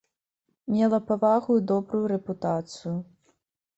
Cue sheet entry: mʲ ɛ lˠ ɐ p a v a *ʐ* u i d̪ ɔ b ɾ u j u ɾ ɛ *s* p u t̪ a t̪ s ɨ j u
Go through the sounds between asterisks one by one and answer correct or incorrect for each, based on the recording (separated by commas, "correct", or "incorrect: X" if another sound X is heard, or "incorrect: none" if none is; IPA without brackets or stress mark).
incorrect: ɣ, incorrect: none